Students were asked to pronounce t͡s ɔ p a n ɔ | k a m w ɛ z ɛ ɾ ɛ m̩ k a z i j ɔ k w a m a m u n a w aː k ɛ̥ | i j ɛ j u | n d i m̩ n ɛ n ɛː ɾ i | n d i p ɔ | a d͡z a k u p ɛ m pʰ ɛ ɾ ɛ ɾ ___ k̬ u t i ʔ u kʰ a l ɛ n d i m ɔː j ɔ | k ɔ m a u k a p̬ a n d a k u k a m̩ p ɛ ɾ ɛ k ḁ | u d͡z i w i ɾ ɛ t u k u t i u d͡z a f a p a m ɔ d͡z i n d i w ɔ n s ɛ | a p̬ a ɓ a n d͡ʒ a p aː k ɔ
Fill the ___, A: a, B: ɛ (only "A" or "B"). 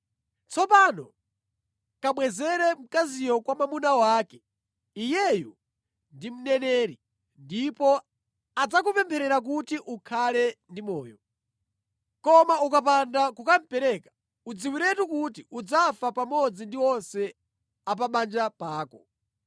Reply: A